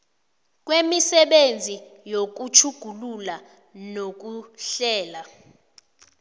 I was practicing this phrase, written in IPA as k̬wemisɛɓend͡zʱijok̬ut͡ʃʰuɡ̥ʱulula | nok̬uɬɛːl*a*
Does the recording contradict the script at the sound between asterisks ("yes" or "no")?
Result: no